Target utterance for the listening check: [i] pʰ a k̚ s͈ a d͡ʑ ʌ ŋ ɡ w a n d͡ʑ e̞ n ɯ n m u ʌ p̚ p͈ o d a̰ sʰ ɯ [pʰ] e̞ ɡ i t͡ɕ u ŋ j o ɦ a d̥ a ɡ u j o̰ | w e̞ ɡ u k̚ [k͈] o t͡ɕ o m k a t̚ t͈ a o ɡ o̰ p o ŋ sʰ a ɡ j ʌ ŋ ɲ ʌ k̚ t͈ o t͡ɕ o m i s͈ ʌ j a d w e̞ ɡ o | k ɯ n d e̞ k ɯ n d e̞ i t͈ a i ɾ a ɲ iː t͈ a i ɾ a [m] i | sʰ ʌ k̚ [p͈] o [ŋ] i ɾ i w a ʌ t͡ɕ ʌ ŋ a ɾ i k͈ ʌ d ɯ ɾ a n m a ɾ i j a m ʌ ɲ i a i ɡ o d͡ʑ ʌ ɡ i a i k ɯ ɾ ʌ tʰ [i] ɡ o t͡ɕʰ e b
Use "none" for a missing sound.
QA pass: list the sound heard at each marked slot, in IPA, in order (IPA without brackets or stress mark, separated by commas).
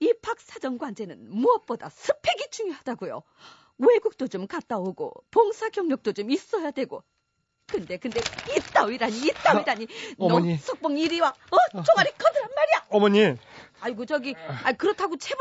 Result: i, pʰ, t͈, ɲ, p͈, ŋ, a